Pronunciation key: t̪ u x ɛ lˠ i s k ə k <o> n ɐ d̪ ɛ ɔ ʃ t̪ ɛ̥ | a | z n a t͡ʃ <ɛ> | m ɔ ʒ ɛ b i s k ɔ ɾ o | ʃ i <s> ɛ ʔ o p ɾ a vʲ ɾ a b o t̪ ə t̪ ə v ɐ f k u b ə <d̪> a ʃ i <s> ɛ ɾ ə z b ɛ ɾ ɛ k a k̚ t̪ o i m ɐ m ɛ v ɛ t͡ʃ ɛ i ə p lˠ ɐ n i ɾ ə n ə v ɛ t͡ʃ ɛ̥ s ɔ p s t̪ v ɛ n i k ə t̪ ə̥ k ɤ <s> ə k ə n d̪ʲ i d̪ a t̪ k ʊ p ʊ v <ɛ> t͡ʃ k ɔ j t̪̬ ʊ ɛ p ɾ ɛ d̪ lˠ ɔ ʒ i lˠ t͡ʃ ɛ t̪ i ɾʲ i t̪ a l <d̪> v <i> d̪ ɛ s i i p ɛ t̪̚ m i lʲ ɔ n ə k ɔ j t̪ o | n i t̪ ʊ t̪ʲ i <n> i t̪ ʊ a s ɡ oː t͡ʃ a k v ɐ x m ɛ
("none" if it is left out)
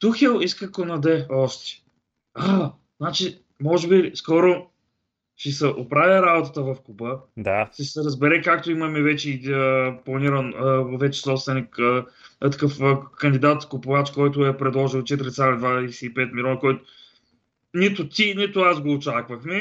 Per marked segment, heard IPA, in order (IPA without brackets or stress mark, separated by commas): o, i, s, d̪, s, f, a, d̪, a, n